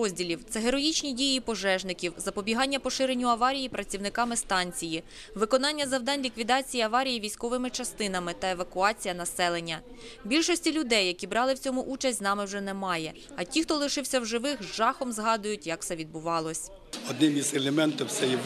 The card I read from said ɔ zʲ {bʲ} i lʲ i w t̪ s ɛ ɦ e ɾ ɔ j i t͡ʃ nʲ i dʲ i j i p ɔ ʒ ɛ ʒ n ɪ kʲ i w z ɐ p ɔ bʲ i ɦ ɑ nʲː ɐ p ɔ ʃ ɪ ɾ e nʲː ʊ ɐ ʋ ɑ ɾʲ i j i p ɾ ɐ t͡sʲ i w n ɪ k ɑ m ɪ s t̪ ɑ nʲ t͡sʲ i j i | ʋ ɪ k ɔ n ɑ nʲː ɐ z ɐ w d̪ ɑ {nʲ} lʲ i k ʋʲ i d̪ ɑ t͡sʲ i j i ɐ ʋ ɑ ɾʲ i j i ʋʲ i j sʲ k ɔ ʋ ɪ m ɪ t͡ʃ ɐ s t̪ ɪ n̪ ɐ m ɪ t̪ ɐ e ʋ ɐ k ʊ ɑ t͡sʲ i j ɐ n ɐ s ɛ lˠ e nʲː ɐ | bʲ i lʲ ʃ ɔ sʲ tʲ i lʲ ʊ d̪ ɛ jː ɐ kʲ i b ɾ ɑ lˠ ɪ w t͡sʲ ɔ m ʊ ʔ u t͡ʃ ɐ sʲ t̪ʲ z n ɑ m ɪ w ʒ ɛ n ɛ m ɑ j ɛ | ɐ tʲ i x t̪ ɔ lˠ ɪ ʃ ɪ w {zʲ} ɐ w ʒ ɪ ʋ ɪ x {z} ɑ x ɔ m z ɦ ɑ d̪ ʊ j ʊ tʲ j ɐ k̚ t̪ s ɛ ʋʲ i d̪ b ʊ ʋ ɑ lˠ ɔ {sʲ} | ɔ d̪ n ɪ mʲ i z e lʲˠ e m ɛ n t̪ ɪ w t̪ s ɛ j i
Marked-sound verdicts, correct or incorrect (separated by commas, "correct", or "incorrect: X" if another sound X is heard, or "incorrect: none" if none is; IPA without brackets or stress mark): incorrect: dʲ, correct, incorrect: sʲ, incorrect: ʒ, correct